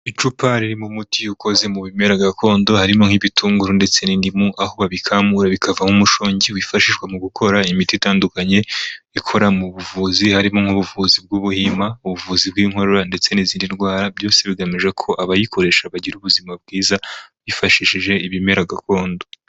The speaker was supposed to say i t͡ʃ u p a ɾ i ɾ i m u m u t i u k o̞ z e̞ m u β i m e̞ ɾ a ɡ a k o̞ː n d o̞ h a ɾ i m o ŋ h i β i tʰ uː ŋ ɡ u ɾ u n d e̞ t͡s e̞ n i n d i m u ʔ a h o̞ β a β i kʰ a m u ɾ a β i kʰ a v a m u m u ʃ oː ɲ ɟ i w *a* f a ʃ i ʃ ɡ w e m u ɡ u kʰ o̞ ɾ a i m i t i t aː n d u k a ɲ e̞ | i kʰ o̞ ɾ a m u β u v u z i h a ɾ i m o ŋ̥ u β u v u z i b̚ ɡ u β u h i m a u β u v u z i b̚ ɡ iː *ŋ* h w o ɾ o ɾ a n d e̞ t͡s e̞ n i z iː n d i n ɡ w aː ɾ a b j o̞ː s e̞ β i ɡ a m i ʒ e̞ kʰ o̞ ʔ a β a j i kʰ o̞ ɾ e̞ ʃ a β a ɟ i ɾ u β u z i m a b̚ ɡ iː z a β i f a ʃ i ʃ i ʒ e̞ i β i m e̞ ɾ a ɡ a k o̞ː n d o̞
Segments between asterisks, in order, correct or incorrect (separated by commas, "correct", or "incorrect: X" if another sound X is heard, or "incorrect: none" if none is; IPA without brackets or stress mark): incorrect: i, correct